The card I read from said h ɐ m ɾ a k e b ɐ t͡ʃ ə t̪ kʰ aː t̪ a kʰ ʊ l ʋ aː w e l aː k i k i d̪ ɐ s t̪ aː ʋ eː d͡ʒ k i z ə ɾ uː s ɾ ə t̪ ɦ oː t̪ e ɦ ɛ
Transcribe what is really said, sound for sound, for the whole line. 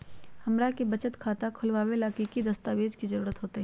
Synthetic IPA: h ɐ m ɾ a k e b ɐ t͡ʃ ə t̪ kʰ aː t̪ a kʰ ʊ l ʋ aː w e l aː k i k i d̪ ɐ s t̪ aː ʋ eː d͡ʒ k i z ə ɾ uː ɾ ə t̪ ɦ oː t̪ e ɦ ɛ